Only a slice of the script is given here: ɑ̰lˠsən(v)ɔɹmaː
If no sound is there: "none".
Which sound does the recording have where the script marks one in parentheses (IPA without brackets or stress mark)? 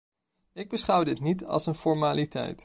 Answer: f